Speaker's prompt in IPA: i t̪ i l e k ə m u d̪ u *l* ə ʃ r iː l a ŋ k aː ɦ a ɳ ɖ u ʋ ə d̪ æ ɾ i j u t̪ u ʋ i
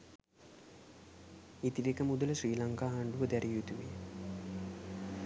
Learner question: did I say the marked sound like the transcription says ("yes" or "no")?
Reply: yes